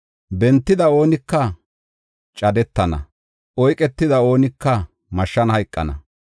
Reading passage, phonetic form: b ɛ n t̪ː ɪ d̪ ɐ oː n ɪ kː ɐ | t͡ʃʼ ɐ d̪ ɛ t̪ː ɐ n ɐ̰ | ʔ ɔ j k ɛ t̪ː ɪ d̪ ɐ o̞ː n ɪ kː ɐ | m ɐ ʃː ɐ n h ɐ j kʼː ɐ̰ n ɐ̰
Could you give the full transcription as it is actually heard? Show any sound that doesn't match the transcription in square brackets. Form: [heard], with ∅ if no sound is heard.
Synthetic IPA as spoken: b ɛ n t̪ː ɪ d̪ ɐ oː n ɪ kː ɐ | t͡ʃʼ ɐ d̪ ɛ t̪ː ɐ n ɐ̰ | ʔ ɔ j [kʼ] ɛ t̪ː ɪ d̪ ɐ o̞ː n ɪ kː ɐ | m ɐ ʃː ɐ n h ɐ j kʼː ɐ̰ n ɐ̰